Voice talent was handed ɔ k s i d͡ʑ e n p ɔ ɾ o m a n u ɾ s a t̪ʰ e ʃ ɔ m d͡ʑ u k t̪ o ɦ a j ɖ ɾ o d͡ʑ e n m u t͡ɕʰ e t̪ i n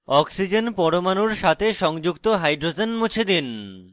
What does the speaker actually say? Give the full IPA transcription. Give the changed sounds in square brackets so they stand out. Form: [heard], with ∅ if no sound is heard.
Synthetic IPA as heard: ɔ k s i d͡ʑ e n p ɔ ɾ o m a n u ɾ [ʃ] a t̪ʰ e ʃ ɔ [ŋ] d͡ʑ u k t̪ o ɦ a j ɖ ɾ o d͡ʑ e n m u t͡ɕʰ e [d̪] i n